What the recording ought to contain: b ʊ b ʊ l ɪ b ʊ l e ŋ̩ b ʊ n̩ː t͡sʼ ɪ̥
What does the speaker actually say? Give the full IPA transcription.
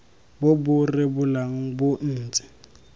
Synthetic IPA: b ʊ b ʊ r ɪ b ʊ l a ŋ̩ b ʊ n̩ː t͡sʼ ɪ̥